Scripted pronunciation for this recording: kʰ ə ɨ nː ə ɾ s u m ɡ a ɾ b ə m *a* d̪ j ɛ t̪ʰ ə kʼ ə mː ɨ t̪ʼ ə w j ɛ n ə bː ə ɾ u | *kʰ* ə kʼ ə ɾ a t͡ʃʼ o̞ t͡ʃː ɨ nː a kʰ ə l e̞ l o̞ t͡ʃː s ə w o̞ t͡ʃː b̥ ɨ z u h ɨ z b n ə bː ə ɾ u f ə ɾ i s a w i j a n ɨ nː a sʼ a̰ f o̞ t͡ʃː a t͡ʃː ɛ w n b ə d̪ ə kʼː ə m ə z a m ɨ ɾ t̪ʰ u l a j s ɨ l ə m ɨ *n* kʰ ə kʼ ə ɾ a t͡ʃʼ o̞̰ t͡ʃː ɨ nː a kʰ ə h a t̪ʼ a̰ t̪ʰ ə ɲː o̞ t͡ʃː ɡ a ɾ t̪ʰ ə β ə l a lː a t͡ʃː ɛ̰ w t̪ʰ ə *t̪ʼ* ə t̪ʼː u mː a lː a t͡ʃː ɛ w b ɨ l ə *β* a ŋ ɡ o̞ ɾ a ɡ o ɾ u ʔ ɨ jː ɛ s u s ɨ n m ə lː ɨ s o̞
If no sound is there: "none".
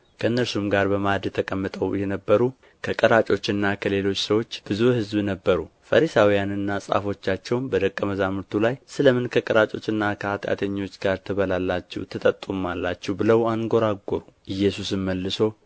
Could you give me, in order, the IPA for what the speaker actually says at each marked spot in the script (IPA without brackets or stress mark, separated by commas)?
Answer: a, kʰ, n, t̪ʼ, w